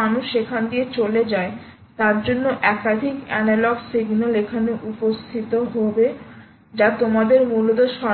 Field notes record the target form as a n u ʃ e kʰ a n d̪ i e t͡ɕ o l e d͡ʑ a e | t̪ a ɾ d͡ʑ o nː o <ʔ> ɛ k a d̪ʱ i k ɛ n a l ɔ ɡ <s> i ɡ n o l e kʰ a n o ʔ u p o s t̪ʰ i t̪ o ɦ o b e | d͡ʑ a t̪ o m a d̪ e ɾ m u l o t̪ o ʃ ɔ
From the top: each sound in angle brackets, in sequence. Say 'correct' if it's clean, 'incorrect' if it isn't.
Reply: correct, correct

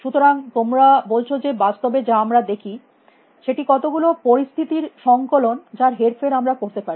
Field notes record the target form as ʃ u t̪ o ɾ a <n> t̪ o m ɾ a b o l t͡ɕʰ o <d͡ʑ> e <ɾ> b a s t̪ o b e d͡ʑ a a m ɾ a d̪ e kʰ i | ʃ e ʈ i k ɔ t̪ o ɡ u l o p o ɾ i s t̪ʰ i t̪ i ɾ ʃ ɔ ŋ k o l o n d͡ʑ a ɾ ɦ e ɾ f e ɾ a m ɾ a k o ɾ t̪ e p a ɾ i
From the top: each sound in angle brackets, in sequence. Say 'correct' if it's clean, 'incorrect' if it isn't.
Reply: incorrect: ŋ, correct, incorrect: none

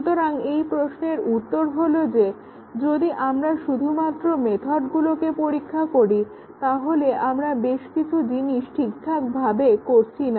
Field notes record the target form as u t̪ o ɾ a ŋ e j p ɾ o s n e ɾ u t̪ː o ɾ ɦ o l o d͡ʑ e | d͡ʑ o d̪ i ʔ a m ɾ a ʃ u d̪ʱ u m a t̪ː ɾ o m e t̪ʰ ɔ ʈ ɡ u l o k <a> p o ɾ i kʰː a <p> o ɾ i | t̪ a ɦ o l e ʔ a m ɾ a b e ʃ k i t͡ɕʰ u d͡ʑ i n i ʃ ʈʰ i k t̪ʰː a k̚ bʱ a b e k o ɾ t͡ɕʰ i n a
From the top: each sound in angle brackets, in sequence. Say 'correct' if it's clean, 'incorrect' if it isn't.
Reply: incorrect: e, incorrect: k

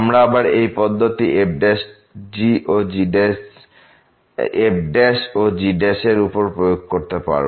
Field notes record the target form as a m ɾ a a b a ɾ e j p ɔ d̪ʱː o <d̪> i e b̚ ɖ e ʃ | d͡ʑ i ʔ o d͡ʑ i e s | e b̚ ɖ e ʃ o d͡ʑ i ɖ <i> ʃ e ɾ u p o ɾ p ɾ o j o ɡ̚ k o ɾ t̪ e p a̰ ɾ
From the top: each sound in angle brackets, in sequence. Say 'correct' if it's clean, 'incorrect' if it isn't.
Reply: incorrect: t̪, incorrect: e

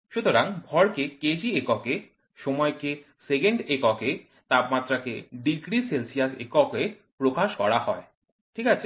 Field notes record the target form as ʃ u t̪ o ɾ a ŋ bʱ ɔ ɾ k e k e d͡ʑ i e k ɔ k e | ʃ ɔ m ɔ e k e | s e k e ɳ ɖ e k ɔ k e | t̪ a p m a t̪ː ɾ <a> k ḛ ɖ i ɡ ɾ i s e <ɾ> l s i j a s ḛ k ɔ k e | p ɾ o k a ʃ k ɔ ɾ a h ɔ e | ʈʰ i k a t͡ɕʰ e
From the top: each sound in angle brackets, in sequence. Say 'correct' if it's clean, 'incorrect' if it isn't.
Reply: correct, incorrect: none

